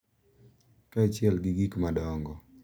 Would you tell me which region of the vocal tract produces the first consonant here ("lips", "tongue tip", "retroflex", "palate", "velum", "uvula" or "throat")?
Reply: velum